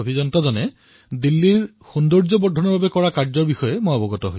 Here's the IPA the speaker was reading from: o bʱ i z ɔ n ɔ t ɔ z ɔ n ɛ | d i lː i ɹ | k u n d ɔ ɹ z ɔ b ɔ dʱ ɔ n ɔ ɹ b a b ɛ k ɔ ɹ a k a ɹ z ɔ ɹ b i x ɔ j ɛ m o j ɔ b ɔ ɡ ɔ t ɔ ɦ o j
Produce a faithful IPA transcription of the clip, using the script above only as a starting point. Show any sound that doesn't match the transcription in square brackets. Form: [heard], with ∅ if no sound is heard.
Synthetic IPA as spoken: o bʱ i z ɔ n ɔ t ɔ z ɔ n ɛ | d i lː i ɹ | [x] u n d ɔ ɹ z ɔ b ɔ dʱ ɔ n ɔ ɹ b a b ɛ k ɔ ɹ a k a ɹ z ɔ ɹ b i x ɔ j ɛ m o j ɔ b ɔ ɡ ɔ t ɔ ɦ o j